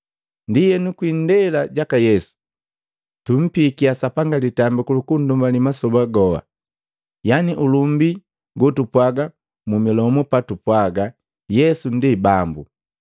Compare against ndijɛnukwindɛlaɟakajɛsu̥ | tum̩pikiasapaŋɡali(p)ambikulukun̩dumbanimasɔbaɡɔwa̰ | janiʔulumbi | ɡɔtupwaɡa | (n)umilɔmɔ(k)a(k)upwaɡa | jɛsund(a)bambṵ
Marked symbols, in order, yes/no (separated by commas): no, no, no, no, no